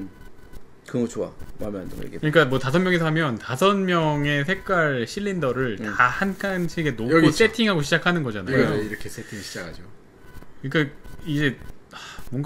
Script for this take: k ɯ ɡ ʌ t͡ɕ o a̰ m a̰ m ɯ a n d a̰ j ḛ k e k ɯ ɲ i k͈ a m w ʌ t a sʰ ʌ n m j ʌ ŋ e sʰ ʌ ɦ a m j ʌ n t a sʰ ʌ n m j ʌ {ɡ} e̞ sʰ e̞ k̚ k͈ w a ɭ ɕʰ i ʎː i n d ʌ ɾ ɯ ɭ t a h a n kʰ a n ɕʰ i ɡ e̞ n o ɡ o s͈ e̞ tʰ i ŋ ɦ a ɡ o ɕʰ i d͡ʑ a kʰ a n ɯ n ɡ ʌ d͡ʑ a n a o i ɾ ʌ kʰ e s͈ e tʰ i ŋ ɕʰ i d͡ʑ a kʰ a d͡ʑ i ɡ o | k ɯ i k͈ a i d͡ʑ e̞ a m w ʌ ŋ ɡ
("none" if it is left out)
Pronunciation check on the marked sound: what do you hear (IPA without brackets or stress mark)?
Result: ŋ